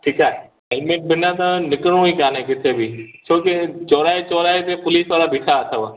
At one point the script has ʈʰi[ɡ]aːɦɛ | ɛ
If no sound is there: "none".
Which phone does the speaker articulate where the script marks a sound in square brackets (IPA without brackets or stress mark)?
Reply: k